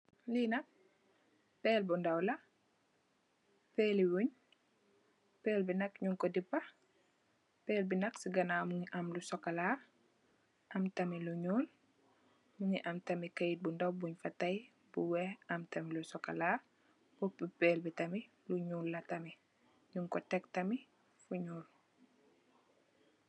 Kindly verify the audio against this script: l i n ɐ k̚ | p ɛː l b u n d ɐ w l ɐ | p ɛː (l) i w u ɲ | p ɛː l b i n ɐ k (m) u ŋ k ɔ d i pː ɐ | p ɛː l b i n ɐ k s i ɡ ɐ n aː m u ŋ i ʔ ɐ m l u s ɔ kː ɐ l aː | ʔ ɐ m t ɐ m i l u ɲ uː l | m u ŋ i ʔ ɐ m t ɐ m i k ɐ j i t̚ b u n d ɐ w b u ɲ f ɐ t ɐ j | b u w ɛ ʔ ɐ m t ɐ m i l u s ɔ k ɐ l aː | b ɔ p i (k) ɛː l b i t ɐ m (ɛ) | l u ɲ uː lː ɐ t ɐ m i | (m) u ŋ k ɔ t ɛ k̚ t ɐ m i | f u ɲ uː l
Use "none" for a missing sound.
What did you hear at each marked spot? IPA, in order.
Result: l, ɲ, p, i, ɲ

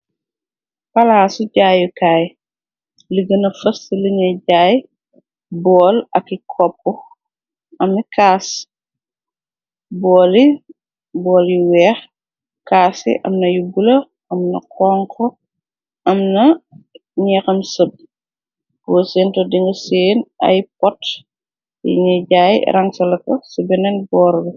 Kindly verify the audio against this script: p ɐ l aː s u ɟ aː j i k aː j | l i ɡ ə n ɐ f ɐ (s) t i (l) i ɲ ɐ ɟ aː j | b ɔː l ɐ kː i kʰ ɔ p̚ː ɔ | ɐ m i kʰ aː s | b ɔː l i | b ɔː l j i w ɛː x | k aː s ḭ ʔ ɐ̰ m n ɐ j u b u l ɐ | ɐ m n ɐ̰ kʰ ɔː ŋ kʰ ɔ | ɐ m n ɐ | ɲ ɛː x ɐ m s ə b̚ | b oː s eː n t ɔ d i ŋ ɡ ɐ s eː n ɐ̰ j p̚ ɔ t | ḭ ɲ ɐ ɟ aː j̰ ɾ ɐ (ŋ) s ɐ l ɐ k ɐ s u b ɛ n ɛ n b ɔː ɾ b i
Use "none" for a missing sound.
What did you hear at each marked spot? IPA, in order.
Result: s, l, ŋ

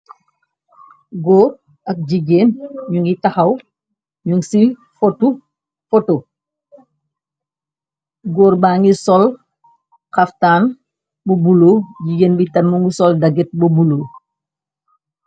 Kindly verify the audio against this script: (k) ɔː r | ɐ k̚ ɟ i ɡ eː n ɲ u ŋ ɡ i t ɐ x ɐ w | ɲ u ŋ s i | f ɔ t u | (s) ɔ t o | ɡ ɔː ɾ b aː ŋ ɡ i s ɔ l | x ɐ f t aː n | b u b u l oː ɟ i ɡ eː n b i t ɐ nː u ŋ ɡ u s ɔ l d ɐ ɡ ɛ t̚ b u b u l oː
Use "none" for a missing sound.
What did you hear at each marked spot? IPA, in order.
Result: ɡ, f

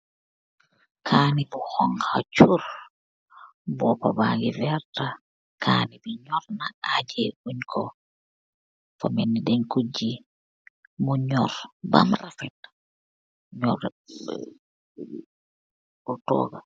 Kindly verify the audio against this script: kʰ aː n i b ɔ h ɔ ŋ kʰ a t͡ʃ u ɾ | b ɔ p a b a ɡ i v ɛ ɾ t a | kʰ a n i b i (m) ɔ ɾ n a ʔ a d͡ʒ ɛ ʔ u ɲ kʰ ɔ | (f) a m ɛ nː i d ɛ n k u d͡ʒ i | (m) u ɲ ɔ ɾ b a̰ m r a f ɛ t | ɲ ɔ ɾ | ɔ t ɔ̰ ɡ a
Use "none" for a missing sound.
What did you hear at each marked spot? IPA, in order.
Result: ɲ, f, m

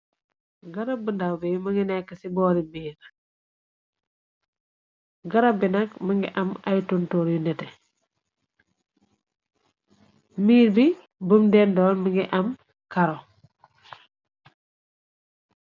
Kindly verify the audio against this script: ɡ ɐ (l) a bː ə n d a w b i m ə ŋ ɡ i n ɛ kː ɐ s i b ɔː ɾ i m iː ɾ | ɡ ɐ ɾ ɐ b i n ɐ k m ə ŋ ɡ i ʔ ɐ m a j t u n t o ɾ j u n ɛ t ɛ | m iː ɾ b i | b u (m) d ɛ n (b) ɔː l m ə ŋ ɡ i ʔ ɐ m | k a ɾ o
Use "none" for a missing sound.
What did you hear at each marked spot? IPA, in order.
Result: ɾ, m, d

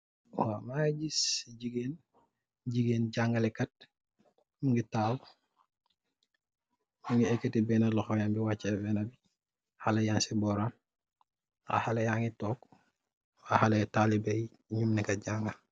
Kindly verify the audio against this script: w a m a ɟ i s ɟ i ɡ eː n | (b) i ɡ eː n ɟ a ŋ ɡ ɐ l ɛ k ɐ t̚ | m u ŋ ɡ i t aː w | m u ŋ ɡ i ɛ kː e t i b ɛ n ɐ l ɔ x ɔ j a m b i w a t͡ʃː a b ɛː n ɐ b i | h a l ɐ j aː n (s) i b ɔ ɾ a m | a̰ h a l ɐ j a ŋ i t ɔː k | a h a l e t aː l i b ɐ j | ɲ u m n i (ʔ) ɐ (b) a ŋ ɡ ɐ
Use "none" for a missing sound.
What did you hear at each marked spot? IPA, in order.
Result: ɟ, s, k, ɟ

